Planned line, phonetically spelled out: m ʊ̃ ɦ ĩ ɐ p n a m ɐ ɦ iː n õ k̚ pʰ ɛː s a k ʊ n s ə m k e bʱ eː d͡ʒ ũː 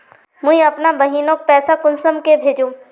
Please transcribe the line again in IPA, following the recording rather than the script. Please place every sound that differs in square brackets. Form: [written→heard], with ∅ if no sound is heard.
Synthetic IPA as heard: m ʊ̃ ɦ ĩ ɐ p n a [m→b] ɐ ɦ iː n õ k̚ [pʰ→p] ɛː s a k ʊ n s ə m k e bʱ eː d͡ʒ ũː